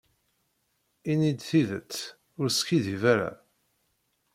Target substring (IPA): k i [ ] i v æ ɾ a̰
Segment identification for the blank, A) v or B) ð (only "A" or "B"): B